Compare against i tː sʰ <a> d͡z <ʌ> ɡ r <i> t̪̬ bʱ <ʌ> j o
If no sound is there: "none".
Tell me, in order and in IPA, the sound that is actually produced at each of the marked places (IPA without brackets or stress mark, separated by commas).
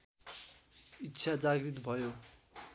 a, a, i, ʌ